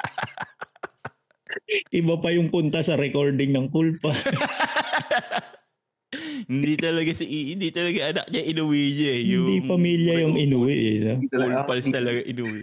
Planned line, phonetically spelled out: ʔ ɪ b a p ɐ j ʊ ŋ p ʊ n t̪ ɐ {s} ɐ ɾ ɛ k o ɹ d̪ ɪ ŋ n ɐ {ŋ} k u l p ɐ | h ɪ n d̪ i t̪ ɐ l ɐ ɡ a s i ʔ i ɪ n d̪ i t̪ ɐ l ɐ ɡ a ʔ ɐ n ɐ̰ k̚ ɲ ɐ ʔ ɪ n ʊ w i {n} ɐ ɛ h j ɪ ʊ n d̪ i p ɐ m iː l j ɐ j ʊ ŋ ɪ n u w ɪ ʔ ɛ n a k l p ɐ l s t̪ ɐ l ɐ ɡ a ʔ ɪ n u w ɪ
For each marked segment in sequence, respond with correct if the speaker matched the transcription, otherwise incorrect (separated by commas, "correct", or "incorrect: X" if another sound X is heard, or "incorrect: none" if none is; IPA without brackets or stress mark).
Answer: correct, correct, incorrect: ɲ